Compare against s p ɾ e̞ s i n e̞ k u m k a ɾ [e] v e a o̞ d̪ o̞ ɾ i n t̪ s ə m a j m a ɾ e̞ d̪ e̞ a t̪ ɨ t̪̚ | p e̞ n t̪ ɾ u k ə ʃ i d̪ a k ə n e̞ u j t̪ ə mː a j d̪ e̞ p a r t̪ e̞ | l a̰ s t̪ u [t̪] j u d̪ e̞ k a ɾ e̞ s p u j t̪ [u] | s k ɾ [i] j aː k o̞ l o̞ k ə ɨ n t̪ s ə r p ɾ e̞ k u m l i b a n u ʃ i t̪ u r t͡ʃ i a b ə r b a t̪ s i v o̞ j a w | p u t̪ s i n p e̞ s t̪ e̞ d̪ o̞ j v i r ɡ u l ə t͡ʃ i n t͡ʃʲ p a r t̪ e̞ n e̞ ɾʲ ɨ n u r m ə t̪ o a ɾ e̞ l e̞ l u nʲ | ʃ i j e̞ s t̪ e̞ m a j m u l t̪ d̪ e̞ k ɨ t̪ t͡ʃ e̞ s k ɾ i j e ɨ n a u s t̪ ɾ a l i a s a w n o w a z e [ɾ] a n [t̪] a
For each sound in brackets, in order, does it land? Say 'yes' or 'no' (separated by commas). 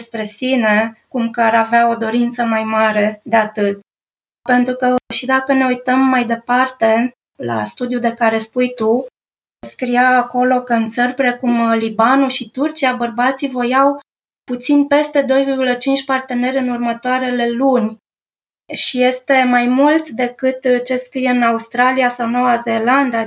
no, no, yes, yes, no, no